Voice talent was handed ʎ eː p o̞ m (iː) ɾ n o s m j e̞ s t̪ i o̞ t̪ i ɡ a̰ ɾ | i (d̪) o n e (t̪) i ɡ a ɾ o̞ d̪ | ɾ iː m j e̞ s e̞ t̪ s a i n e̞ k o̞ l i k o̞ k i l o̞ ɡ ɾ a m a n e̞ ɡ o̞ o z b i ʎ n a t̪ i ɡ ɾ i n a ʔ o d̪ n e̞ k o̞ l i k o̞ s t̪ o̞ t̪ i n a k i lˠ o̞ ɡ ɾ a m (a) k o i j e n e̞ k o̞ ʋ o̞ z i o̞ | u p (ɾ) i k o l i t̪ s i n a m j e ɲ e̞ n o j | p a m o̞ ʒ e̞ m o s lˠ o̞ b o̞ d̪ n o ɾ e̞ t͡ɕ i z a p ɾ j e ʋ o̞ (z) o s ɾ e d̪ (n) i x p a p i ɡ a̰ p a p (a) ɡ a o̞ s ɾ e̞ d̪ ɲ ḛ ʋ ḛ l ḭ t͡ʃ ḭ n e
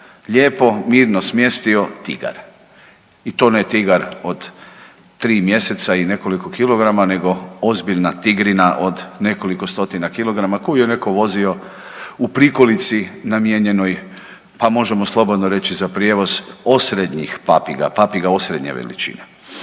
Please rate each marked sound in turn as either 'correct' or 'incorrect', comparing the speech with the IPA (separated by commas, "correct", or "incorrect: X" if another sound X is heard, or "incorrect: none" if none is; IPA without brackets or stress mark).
correct, incorrect: t̪, correct, correct, correct, correct, incorrect: ɲ, incorrect: i